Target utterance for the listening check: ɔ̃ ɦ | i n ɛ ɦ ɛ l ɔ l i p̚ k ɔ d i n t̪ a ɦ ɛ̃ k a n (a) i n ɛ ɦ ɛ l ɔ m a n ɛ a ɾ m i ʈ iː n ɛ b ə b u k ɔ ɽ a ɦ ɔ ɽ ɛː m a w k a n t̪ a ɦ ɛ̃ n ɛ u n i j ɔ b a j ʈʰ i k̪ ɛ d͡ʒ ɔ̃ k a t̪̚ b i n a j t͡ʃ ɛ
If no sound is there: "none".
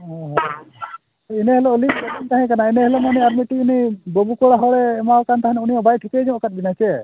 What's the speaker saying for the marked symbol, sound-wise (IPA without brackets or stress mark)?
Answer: a